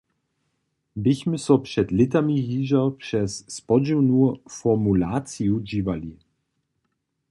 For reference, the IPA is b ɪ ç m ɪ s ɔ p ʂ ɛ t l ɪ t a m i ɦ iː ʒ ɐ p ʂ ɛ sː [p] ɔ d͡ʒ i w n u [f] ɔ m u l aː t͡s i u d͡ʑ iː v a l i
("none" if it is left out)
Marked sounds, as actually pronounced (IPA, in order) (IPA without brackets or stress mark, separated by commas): p, f